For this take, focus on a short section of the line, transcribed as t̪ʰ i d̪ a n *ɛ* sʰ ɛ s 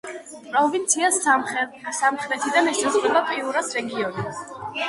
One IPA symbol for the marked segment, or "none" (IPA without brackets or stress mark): ɛ